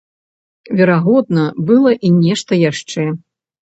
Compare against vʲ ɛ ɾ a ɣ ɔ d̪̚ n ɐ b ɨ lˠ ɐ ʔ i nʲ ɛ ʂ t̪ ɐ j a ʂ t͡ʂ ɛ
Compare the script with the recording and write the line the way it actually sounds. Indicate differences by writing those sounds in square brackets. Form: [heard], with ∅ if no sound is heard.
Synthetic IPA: vʲ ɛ ɾ a ɣ ɔ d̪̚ n ɐ b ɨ lˠ ɐ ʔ i nʲ ɛ ʂ t̪ ɐ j a ʂ t͡ʂ ɛ